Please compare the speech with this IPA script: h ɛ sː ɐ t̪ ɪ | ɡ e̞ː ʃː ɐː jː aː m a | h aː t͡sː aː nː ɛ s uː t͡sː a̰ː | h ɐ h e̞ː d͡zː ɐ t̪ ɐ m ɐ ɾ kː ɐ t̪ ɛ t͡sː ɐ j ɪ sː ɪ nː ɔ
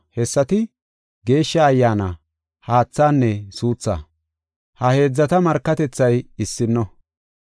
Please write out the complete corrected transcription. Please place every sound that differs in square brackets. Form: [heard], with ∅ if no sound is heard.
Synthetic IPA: h ɛ sː ɐ t̪ ɪ | ɡ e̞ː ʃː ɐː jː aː [n] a | h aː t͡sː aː nː ɛ s uː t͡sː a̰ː | h ɐ h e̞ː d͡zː ɐ t̪ ɐ m ɐ ɾ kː ɐ t̪ ɛ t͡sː ɐ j ɪ sː ɪ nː ɔ